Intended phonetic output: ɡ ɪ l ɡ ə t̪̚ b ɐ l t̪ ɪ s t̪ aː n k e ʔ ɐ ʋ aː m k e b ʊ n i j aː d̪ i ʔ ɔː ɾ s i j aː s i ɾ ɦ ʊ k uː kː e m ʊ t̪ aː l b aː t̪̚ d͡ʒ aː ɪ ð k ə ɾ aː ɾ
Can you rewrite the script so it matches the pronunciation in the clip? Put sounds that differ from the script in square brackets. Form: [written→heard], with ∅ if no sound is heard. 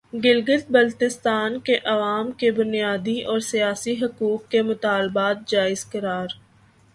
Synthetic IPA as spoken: ɡ ɪ l ɡ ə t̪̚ b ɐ l t̪ ɪ s t̪ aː n k e ʔ ɐ ʋ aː m k e b ʊ n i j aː d̪ i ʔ ɔː ɾ s i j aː s i [ɾ→∅] ɦ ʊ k uː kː e m ʊ t̪ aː l b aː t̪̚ d͡ʒ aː ɪ [ð→z] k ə ɾ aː ɾ